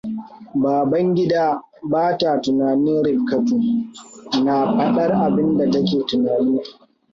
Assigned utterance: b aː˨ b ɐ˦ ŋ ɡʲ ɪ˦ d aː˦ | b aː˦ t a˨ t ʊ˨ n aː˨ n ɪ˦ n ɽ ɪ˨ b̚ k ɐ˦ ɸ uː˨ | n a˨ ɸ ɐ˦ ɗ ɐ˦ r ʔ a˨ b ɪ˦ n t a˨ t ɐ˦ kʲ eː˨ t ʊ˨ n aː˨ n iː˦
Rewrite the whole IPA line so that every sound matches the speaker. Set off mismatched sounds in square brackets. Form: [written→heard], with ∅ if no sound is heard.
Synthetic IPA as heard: b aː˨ b ɐ˦ ŋ ɡʲ ɪ˦ d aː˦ | b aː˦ t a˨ t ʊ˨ n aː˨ n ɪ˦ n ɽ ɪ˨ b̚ k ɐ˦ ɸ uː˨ | n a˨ ɸ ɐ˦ ɗ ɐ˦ r ʔ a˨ b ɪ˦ n [t→d] a˨ t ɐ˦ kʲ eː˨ t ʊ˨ n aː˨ n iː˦